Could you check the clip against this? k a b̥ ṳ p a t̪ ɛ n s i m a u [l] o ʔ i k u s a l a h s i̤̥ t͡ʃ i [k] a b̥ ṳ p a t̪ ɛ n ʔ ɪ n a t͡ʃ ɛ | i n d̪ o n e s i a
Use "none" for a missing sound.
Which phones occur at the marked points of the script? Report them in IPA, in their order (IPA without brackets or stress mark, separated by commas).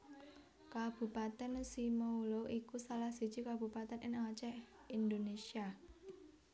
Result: l, k